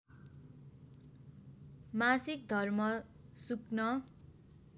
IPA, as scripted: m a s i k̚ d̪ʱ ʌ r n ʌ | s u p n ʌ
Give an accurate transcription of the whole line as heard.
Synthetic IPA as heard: m a s i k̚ d̪ʱ ʌ r m ʌ | s u k n ʌ